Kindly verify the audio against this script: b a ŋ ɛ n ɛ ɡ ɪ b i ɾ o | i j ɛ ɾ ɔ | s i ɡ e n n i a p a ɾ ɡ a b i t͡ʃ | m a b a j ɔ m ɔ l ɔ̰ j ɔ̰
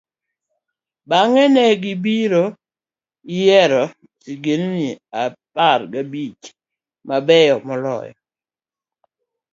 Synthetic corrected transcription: b a ŋ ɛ n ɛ ɡ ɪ b i ɾ o | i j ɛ ɾ ɔ | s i ɡ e n n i a p a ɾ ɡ a b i t͡ʃ | m a b ɛ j ɔ m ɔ l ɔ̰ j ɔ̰